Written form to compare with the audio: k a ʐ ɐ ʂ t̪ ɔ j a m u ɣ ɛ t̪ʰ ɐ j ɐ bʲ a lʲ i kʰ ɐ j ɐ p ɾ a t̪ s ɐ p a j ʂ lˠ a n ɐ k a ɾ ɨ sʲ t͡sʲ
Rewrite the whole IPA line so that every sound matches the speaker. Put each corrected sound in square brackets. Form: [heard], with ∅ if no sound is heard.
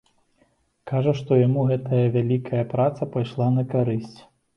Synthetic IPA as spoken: k a ʐ ɐ ʂ t̪ ɔ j a m u ɣ ɛ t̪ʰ ɐ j ɐ [vʲ] a lʲ i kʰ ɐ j ɐ p ɾ a t̪ s ɐ p a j ʂ lˠ a n ɐ k a ɾ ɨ sʲ t͡sʲ